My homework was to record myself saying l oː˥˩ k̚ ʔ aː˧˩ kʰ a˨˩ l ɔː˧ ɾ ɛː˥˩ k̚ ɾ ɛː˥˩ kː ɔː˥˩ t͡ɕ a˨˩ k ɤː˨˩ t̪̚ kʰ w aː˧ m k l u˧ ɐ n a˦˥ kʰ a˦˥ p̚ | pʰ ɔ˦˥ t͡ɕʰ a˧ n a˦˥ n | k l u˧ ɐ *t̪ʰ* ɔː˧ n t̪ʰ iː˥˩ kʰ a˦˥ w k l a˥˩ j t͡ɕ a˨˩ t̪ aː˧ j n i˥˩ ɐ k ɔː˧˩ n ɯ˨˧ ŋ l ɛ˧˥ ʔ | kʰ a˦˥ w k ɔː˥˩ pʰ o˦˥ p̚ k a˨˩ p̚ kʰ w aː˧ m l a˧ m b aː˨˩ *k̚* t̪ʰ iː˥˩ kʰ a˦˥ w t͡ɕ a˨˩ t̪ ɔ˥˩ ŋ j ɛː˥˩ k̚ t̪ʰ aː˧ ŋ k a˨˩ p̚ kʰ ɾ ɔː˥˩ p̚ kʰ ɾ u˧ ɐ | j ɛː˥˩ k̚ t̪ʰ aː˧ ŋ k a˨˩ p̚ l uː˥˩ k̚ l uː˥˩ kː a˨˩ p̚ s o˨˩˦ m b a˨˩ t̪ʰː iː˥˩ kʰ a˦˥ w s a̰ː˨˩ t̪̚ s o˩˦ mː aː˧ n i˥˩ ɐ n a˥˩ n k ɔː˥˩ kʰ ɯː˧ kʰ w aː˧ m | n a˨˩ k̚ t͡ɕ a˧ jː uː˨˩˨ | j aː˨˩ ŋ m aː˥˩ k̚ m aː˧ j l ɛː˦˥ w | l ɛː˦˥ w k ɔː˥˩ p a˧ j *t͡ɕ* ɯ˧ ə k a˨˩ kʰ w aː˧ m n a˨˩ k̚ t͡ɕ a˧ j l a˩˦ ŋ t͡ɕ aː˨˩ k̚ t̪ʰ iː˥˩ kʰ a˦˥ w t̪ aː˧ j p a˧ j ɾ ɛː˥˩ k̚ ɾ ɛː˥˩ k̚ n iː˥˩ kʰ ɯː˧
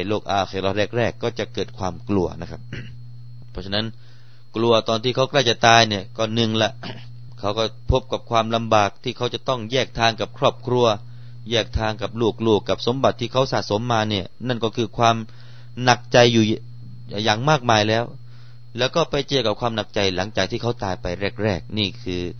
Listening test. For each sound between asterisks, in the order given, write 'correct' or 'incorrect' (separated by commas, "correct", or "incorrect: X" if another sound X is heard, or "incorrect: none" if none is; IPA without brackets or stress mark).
incorrect: t̪, correct, correct